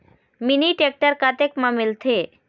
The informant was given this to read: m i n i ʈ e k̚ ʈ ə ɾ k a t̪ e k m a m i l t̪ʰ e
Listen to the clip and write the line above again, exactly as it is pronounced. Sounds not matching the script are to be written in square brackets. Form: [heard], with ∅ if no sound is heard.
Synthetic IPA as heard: m i n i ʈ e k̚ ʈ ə ɾ k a t̪ e k m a m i l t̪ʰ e

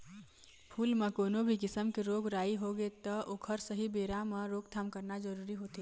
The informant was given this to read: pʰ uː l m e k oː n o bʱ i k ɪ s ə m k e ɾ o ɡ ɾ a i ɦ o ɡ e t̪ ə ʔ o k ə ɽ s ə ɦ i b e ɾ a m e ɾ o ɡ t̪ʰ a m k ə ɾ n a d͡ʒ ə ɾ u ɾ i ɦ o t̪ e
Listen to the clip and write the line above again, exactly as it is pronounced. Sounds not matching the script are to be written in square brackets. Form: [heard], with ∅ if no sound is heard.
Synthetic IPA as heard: pʰ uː l m e k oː n o bʱ i k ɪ s ə m k e ɾ o ɡ ɾ a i ɦ o ɡ e t̪ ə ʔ o [kʰ] ə [ɾ] s ə ɦ i b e ɾ a m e ɾ o ɡ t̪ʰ a m k ə ɾ n a d͡ʒ ə ɾ u ɾ i ɦ o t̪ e

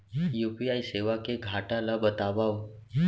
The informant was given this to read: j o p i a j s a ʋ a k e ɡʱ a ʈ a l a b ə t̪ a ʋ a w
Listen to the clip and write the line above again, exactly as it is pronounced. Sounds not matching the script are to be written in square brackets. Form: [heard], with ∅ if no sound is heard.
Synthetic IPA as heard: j [u] p i a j s [e] ʋ a k e ɡʱ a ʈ a l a b ə t̪ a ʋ a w

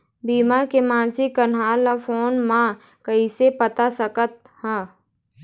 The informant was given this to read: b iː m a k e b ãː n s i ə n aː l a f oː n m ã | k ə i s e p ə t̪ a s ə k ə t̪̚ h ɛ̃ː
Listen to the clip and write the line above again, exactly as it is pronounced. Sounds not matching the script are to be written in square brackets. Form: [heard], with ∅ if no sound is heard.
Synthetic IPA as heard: b iː m a k e [m] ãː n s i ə n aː l a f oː n m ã | k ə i s e p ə t̪ a s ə k ə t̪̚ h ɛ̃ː

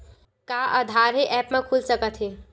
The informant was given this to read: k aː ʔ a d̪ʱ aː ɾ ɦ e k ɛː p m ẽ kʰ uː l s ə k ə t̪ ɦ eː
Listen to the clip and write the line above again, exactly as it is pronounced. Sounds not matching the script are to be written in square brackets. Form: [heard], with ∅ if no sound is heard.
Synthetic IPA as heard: k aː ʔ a d̪ʱ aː ɾ ɦ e [ʔ] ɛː p m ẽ kʰ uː l s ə k ə t̪ ɦ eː

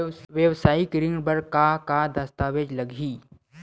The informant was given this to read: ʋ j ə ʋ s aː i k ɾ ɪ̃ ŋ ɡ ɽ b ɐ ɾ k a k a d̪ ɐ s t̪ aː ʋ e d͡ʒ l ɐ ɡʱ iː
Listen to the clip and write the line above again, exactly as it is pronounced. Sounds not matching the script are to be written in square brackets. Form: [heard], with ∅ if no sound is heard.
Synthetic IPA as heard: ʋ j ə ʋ s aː i k ɾ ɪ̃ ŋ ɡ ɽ b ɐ ɾ k a k a d̪ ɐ s t̪ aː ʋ e d͡ʒ l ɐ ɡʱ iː

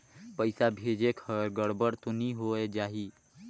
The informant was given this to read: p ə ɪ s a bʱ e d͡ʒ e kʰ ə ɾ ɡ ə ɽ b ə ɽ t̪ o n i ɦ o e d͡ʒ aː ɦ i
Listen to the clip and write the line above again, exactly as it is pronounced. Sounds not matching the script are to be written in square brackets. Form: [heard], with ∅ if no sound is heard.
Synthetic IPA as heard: p ə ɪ s a bʱ e d͡ʒ e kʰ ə ɾ ɡ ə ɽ b ə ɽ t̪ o n i ɦ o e d͡ʒ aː ɦ i

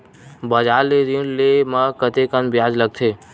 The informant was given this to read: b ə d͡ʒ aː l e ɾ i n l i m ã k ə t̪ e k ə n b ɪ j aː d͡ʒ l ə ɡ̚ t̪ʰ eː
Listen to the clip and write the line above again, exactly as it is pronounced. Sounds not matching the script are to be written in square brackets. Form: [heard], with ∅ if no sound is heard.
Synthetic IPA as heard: b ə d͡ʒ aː l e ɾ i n l [e] m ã k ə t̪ e k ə n b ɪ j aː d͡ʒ l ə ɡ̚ t̪ʰ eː

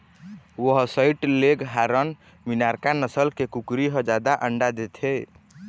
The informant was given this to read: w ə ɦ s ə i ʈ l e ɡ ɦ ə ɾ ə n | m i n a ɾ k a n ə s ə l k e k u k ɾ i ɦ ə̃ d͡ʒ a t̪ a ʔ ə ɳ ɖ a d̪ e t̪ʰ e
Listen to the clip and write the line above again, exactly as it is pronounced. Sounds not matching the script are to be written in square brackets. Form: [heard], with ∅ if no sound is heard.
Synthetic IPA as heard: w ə ɦ s ə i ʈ l e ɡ ɦ [a] ɾ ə n | m i n a ɾ k a n ə s ə l k e k u k ɾ i ɦ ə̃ d͡ʒ a [d̪] a ʔ ə ɳ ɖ a d̪ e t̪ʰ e

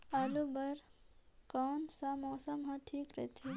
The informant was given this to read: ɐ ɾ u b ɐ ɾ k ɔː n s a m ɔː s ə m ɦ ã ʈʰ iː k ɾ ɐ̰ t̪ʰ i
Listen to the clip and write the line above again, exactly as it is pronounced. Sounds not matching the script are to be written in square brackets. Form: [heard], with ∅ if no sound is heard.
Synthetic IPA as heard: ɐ [l] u b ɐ ɾ k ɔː n s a m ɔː s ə m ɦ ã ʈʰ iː k ɾ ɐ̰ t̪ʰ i

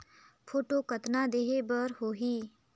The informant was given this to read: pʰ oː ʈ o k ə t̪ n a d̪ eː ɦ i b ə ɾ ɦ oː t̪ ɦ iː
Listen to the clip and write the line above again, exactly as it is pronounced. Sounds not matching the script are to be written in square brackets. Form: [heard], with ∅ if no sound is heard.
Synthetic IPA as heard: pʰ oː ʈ o k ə t̪ n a d̪ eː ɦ [e] b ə ɾ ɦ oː [∅] ɦ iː

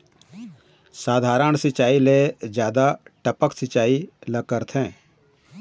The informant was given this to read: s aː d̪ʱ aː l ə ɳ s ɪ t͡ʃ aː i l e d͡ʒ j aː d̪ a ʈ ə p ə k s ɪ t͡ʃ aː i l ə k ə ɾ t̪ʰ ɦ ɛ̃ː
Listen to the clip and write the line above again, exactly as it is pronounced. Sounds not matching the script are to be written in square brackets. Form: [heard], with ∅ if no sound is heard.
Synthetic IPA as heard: s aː d̪ʱ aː [ɾ] ə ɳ s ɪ t͡ʃ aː i l e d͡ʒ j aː d̪ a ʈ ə p ə k s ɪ t͡ʃ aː i l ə k ə ɾ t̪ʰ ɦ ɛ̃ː

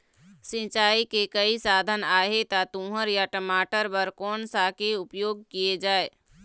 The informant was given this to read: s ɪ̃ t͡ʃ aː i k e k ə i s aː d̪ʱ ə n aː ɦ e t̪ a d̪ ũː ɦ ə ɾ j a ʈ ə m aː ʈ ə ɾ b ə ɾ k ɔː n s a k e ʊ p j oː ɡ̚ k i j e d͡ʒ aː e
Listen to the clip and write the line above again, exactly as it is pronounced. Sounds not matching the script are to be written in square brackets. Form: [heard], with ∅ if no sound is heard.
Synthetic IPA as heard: s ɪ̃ t͡ʃ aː i k e k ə i s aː d̪ʱ ə n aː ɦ e t̪ a [t̪] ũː ɦ ə ɾ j a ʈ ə m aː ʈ ə ɾ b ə ɾ k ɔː n s a k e ʊ p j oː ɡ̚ k i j e d͡ʒ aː e

